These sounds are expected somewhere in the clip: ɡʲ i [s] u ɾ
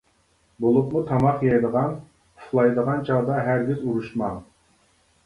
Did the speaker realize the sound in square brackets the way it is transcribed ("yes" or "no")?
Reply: no